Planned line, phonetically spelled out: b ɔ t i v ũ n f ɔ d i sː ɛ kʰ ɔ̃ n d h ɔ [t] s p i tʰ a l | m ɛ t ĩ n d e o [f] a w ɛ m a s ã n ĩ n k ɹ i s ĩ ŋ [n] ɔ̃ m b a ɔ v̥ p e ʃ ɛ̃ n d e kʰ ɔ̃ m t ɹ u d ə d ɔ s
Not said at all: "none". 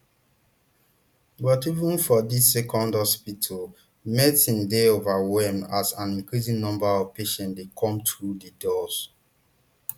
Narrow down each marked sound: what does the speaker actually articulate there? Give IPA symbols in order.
none, v, n

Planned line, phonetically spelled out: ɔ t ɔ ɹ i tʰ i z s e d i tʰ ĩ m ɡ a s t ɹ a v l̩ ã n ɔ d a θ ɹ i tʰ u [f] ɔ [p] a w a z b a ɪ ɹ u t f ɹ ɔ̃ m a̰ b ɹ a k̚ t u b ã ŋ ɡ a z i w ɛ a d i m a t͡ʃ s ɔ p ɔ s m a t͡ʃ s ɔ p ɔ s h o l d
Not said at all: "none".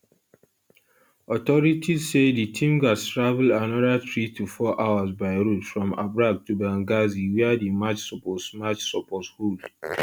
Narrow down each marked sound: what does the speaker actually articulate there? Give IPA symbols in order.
f, ʔ

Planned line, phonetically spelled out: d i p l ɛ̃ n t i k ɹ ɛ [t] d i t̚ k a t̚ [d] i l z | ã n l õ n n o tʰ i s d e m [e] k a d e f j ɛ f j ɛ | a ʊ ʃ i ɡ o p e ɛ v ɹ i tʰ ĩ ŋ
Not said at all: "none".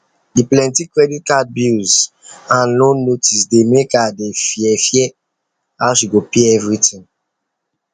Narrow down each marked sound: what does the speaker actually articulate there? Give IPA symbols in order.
none, b, e

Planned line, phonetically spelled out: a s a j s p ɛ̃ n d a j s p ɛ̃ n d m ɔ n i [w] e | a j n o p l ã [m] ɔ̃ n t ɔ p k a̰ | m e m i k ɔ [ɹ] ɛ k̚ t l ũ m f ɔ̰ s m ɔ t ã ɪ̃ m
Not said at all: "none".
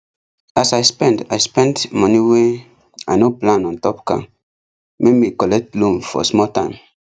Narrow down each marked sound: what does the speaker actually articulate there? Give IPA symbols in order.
w, n, l

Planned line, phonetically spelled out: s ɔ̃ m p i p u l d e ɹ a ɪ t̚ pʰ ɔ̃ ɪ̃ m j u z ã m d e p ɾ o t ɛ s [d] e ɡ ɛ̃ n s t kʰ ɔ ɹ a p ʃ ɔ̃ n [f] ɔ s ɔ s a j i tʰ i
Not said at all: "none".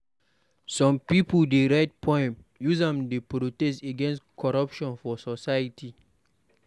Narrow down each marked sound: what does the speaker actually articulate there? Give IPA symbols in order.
t, f

